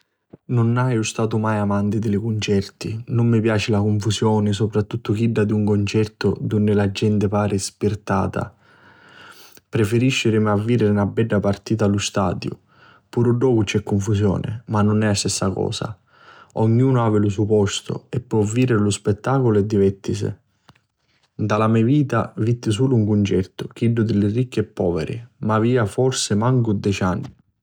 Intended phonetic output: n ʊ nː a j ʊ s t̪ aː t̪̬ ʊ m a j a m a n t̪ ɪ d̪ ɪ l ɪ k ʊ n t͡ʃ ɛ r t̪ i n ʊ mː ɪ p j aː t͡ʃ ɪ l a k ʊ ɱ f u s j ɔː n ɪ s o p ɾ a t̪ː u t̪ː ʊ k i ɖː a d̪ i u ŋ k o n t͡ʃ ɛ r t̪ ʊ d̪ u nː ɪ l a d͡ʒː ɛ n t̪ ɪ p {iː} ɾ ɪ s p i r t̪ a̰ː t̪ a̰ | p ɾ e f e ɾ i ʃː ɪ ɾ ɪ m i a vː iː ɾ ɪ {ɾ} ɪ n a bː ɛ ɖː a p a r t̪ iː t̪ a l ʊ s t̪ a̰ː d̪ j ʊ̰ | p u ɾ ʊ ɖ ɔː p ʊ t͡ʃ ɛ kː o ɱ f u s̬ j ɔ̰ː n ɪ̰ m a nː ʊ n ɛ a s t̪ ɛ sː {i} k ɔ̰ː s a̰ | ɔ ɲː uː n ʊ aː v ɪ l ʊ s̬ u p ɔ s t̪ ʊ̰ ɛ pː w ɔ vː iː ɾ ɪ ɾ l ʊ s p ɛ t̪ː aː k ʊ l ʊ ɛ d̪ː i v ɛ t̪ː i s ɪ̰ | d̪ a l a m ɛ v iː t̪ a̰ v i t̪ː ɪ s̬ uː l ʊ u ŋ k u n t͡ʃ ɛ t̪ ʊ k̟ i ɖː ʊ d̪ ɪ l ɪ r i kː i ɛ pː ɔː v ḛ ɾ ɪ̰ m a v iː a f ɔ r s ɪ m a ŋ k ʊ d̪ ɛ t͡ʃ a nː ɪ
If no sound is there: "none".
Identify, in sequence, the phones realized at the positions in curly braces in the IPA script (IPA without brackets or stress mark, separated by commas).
aː, ɾ, a